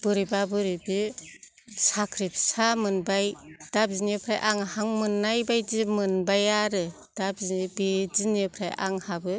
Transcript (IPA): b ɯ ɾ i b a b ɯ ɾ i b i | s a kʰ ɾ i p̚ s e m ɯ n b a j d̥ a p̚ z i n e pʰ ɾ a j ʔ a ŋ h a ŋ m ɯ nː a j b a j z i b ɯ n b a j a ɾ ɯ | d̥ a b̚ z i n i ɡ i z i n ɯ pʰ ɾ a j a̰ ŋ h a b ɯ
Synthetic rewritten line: b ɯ ɾ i b a b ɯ ɾ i b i | s a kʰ ɾ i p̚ s a m ɯ n b a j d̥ a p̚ z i n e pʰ ɾ a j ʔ a ŋ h a ŋ m ɯ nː a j b a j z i m ɯ n b a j a ɾ ɯ | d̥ a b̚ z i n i b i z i n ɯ pʰ ɾ a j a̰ ŋ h a b ɯ

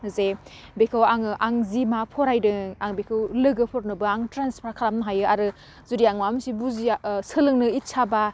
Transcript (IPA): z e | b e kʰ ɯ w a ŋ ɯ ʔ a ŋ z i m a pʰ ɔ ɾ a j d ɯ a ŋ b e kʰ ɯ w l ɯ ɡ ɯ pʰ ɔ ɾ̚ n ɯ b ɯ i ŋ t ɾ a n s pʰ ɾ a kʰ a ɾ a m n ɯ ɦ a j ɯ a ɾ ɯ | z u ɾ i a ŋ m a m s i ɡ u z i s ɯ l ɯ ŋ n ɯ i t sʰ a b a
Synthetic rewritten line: z e | b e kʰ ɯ w a ŋ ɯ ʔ a ŋ z i m a pʰ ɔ ɾ a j d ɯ a ŋ b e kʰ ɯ w l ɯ ɡ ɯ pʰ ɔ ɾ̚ n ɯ b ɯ a ŋ t ɾ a n s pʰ ɾ a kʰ a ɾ a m n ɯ ɦ a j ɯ a ɾ ɯ | z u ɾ i a ŋ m a m s i b u z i s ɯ l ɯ ŋ n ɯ i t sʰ a b a

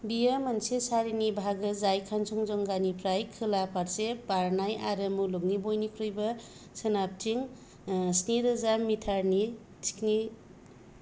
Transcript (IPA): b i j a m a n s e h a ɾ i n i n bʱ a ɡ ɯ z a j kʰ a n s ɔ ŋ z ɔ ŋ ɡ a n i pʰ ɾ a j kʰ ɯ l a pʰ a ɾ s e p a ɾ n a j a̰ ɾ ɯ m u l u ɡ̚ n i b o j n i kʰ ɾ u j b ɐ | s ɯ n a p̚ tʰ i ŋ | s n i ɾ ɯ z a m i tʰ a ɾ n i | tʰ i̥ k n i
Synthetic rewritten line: b i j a m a n s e s a ɾ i n i bʱ a ɡ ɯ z a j kʰ a n s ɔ ŋ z ɔ ŋ ɡ a n i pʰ ɾ a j kʰ ɯ l a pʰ a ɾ s e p a ɾ n a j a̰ ɾ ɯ m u l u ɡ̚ n i b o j n i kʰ ɾ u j b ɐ | s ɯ n a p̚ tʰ i ŋ | s n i ɾ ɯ z a m i tʰ a ɾ n i | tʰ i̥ k n i

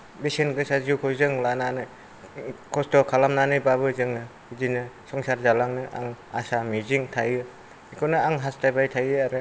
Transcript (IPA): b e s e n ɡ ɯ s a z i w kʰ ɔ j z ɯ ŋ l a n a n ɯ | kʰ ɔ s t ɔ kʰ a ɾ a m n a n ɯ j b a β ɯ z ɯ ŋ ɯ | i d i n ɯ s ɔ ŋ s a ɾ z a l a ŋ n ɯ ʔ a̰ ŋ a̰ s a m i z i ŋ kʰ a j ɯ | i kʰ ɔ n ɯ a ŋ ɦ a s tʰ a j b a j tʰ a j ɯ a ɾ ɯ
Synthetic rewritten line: b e s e n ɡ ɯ s a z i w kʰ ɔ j z ɯ ŋ l a n a n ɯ | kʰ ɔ s t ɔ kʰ a l a m n a n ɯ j b a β ɯ z ɯ ŋ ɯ | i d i n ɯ s ɔ ŋ s a ɾ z a l a ŋ n ɯ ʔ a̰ ŋ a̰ s a m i z i ŋ tʰ a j ɯ | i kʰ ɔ n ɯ a ŋ ɦ a s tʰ a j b a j tʰ a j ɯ a ɾ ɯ

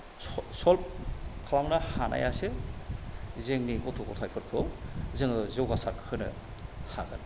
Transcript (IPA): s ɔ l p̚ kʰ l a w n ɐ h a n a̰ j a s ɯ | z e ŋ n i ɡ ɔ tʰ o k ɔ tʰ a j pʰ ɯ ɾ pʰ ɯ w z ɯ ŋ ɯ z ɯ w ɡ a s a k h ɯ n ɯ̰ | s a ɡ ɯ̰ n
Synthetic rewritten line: s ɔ l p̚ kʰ l a w n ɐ h a n a̰ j a s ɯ | z e ŋ n i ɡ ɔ tʰ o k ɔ tʰ a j pʰ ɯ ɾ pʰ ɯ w z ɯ ŋ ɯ z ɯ w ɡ a s a k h ɯ n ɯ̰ | h a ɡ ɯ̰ n

